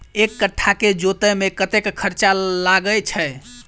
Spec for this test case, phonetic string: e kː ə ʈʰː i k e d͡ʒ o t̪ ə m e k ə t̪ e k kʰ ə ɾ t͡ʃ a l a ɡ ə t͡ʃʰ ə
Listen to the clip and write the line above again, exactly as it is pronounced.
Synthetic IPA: e kː ə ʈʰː a k e d͡ʒ o t̪ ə m e k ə t̪ e k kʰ ə ɾ t͡ʃ a l a ɡ ə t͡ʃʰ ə

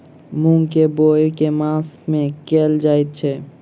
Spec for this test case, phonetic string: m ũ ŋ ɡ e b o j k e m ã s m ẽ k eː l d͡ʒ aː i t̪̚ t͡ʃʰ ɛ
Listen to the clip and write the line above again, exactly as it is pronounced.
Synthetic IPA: m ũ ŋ k e b o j k e m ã s m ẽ k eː l d͡ʒ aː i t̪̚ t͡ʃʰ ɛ

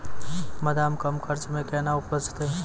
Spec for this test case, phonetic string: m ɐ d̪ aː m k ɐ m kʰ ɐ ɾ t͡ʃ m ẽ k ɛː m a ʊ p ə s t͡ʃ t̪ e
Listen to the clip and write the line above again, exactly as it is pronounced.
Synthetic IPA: m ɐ d̪ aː m k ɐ m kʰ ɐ ɾ t͡ʃ m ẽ k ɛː n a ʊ p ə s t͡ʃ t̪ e

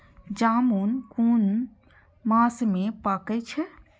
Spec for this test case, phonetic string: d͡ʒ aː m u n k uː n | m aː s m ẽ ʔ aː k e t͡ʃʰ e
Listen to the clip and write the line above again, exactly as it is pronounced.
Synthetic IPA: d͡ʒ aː m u n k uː n | m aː s m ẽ p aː k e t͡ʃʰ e

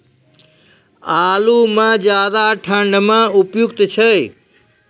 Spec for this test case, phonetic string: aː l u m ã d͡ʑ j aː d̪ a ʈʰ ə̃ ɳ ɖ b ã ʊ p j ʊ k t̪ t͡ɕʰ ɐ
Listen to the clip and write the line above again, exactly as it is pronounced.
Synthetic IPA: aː l u m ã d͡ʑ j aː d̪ a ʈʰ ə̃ ɳ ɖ m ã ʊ p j ʊ k t̪ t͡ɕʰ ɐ

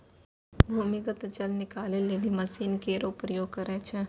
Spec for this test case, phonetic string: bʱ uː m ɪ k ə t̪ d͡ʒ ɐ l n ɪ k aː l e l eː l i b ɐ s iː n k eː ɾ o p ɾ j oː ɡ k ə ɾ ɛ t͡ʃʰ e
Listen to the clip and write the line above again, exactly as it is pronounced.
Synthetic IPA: bʱ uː m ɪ k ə t̪ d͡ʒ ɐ l n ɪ k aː l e l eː l i m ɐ s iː n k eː ɾ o p ɾ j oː ɡ k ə ɾ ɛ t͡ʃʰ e

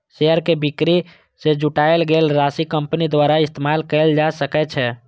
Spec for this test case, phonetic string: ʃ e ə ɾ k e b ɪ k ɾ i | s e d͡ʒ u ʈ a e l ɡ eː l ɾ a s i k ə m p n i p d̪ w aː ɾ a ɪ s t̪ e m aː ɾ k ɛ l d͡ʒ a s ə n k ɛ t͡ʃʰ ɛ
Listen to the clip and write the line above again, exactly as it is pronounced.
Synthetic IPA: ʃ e ə ɾ k e b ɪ k ɾ i | s e d͡ʒ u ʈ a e l ɡ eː l ɾ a s i k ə m p n i d̪ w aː ɾ a ɪ s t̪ e m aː l k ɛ l d͡ʒ a s ə k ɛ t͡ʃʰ ɛ

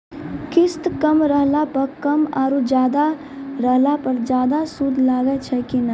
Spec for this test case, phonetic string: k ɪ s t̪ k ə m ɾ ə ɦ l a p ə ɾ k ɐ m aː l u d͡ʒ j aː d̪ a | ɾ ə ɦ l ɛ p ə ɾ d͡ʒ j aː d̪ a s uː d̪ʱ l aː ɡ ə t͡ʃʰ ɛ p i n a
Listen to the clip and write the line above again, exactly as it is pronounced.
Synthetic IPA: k ɪ s t̪ k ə m ɾ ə ɦ l a p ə ɾ k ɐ m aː ɾ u d͡ʒ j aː d̪ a | ɾ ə ɦ l a p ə ɾ d͡ʒ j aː d̪ a s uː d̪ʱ l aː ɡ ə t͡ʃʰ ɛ k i n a

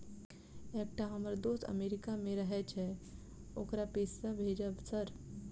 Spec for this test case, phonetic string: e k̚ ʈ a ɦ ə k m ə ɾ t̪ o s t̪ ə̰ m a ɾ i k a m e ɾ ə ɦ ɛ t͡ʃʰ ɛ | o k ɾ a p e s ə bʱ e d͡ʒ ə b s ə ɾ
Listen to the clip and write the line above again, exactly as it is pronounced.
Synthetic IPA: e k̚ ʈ a ɦ ə m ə ɾ d̪ o s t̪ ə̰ m e ɾ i k a m e ɾ ə ɦ ɛ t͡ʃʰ ɛ | o k ɾ a p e s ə bʱ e d͡ʒ ə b s ə ɾ

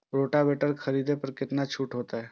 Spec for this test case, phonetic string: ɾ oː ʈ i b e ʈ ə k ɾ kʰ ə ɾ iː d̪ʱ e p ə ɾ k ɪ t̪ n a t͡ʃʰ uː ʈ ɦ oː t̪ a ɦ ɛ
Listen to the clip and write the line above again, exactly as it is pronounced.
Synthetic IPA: ɾ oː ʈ a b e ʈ ə ɾ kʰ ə ɾ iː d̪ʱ e p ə ɾ k ɪ t̪ n a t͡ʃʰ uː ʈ ɦ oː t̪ a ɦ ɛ

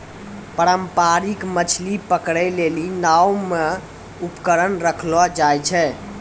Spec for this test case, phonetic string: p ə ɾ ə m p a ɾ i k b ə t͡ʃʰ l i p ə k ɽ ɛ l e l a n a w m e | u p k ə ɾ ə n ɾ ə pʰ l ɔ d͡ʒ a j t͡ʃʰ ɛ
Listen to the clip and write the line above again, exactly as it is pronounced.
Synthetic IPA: p ə ɾ ə m p a ɾ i k m ə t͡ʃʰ l i p ə k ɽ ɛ l e l i n a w m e | u p k ə ɾ ə n ɾ ə kʰ l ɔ d͡ʒ a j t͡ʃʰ ɛ

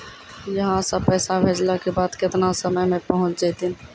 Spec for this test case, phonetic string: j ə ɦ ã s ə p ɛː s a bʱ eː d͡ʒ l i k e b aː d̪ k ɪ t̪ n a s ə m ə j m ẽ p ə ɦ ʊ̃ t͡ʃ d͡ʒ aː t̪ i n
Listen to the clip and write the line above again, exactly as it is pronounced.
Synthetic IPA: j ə ɦ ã s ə p ɛː s a bʱ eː d͡ʒ l a k e b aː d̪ k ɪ t̪ n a s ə m ə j m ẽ p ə ɦ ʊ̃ t͡ʃ d͡ʒ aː t̪ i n

